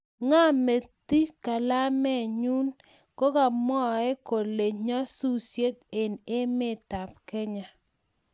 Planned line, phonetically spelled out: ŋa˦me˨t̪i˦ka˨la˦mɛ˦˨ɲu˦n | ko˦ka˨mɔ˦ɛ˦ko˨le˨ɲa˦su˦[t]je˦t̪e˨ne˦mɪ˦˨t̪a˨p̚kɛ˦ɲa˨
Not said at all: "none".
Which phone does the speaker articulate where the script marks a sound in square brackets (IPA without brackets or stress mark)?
s